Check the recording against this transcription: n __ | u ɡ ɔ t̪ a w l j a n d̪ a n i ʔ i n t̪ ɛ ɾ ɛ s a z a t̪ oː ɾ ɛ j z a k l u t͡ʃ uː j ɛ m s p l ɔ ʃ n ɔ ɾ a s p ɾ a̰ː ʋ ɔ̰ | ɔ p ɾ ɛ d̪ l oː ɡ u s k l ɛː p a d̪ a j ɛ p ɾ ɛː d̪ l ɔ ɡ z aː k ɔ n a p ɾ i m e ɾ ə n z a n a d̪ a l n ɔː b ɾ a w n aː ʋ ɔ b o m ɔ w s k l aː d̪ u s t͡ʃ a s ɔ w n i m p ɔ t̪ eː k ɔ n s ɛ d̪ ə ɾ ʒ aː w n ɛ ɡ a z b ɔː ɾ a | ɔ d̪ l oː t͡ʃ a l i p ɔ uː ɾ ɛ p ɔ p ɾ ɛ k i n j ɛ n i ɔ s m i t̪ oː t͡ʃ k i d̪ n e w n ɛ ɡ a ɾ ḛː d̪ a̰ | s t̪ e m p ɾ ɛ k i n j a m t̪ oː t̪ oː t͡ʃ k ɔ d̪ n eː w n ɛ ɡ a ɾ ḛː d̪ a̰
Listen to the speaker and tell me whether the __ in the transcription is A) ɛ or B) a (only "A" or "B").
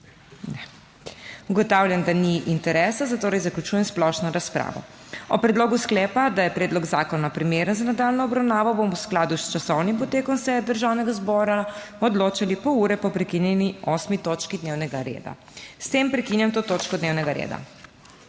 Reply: A